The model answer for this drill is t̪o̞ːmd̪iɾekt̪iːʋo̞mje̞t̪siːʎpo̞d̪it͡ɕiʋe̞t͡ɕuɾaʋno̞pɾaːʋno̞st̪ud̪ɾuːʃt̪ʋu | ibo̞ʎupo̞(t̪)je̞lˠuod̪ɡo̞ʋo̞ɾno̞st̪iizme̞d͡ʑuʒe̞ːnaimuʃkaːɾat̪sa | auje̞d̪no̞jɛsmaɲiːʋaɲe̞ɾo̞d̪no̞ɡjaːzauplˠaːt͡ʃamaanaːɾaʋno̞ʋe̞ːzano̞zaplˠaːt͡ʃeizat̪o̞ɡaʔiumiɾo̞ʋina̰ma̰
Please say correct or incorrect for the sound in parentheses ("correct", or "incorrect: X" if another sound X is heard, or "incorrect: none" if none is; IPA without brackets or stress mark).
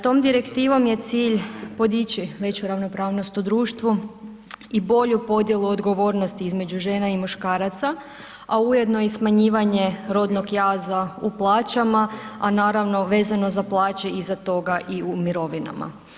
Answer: incorrect: d̪